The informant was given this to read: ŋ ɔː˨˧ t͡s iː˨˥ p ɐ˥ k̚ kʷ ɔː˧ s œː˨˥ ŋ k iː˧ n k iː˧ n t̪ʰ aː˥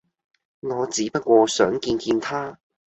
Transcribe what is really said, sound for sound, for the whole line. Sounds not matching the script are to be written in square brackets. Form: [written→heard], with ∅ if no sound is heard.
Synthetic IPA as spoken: ŋ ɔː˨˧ t͡s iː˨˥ p ɐ˥ [k̚→t̚] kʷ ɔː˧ s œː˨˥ ŋ k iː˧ n k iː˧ n t̪ʰ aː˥